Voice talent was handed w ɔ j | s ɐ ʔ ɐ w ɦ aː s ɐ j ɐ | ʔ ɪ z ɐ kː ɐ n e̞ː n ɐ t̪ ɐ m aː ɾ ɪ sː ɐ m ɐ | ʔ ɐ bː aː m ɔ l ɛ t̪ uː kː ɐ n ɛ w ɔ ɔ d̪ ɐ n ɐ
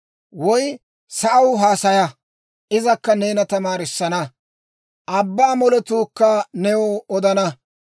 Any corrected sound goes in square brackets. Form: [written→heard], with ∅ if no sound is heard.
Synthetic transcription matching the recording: w ɔ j | s ɐ ʔ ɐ w ɦ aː s ɐ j ɐ | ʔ ɪ z ɐ kː ɐ n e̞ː n ɐ t̪ ɐ m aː ɾ ɪ sː ɐ [m→n] ɐ | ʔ ɐ bː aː m ɔ l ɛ t̪ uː kː ɐ n ɛ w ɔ ɔ d̪ ɐ n ɐ

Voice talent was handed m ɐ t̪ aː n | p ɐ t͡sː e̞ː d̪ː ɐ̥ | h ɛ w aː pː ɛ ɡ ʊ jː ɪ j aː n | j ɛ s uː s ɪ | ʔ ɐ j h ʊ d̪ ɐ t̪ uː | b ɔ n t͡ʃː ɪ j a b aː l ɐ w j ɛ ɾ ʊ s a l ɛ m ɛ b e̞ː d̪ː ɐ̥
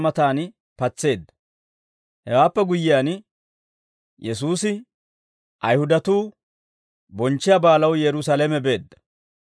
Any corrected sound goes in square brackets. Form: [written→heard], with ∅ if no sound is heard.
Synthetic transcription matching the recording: m ɐ t̪ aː n | p ɐ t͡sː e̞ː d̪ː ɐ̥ | h ɛ w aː pː ɛ ɡ ʊ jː ɪ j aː n | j ɛ s uː s ɪ | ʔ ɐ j h ʊ d̪ ɐ t̪ uː | b ɔ n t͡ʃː ɪ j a b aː l ɐ w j ɛ ɾ ʊ s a l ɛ m ɛ b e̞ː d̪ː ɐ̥

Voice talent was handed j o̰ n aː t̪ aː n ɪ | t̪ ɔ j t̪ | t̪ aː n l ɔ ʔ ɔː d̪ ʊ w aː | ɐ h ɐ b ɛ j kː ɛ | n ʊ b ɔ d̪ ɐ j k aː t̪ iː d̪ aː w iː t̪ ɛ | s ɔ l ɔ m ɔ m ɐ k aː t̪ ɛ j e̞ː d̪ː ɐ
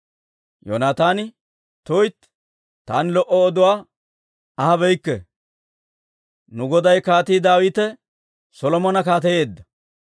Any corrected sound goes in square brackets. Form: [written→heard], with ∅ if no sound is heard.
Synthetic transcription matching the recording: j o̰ n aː t̪ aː n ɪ | t̪ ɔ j t̪ | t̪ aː n l ɔ ʔ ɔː d̪ ʊ w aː | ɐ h ɐ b ɛ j kː ɛ | n ʊ [b→ɡ] ɔ d̪ ɐ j k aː t̪ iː d̪ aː w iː t̪ ɛ | s ɔ l ɔ m ɔ [m→n] ɐ k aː t̪ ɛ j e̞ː d̪ː ɐ

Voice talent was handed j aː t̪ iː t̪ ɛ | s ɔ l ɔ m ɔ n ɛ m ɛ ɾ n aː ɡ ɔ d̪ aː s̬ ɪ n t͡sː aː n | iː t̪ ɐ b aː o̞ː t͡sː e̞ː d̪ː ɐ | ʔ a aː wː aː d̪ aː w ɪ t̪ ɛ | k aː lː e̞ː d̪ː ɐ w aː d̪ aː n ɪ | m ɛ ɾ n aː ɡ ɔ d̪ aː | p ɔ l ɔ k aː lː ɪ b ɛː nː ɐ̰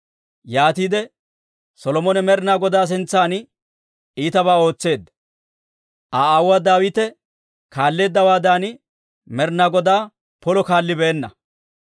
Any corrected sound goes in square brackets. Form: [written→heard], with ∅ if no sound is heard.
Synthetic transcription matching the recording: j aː t̪ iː [t̪→d̪] ɛ | s ɔ l ɔ m ɔ n ɛ m ɛ ɾ n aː ɡ ɔ d̪ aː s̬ ɪ n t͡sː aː n | iː t̪ ɐ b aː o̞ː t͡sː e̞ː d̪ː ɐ | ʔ a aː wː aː d̪ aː w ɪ t̪ ɛ | k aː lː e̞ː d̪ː ɐ w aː d̪ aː n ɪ | m ɛ ɾ n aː ɡ ɔ d̪ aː | p ɔ l ɔ k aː lː ɪ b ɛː nː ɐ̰

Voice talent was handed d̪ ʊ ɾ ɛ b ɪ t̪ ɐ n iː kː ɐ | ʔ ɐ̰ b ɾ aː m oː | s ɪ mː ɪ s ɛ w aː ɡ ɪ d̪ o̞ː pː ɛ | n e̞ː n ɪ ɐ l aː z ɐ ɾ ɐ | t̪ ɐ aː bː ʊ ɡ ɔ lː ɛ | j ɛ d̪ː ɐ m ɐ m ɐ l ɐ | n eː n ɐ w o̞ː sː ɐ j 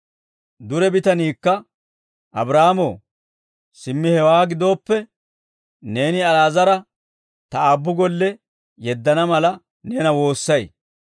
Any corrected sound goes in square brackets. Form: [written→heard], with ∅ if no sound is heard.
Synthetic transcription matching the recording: d̪ ʊ ɾ ɛ b ɪ t̪ ɐ n iː kː ɐ | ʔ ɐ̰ b ɾ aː m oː | s ɪ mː ɪ [s→h] ɛ w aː ɡ ɪ d̪ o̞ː pː ɛ | n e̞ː n ɪ ɐ l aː z ɐ ɾ ɐ | t̪ ɐ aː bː ʊ ɡ ɔ lː ɛ | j ɛ d̪ː ɐ [m→n] ɐ m ɐ l ɐ | n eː n ɐ w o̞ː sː ɐ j

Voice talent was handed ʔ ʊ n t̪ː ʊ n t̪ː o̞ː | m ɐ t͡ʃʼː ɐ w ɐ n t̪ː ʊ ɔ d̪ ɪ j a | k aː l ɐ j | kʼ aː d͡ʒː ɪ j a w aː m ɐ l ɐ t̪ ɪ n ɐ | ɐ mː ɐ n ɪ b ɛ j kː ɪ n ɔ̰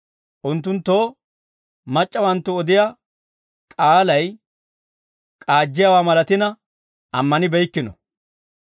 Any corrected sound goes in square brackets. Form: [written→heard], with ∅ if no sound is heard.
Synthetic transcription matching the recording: ʔ ʊ n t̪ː ʊ n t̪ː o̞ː | m ɐ t͡ʃʼː ɐ w ɐ n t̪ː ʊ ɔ d̪ ɪ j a | [k→kʼ] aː l ɐ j | kʼ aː d͡ʒː ɪ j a w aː m ɐ l ɐ t̪ ɪ n ɐ | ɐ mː ɐ n ɪ b ɛ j kː ɪ n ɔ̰

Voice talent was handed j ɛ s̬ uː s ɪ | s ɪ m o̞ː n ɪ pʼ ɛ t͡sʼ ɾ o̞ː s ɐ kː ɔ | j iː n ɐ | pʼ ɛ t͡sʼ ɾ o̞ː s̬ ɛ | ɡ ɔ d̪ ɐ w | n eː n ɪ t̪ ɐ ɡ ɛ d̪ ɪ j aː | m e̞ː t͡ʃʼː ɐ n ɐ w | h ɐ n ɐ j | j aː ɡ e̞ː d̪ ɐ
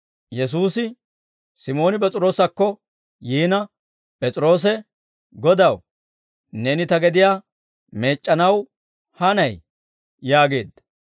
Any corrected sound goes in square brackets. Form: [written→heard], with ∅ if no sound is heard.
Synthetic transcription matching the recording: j ɛ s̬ uː s ɪ | s ɪ m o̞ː n ɪ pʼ ɛ t͡sʼ ɾ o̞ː s ɐ kː ɔ | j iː n ɐ | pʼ ɛ t͡sʼ ɾ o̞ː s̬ ɛ | ɡ ɔ d̪ ɐ w | n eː n ɪ t̪ ɐ ɡ ɛ d̪ ɪ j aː | m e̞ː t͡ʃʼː ɐ n ɐ w | h ɐ n ɐ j | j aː ɡ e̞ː d̪ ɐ

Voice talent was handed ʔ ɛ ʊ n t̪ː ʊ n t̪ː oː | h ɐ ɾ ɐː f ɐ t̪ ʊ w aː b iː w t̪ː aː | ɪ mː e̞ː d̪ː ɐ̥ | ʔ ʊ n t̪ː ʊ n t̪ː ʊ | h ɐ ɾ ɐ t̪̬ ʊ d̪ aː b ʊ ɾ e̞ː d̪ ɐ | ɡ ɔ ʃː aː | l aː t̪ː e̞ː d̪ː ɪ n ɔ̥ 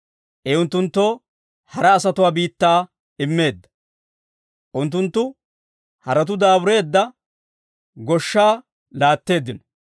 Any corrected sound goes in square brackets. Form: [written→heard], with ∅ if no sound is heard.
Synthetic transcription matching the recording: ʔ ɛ ʊ n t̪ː ʊ n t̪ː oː | h ɐ ɾ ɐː [f→s] ɐ t̪ ʊ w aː b iː [w→∅] t̪ː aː | ɪ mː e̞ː d̪ː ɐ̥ | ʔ ʊ n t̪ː ʊ n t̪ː ʊ | h ɐ ɾ ɐ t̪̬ ʊ d̪ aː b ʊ ɾ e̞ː [d̪→d̪ː] ɐ | ɡ ɔ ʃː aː | l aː t̪ː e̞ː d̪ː ɪ n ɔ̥

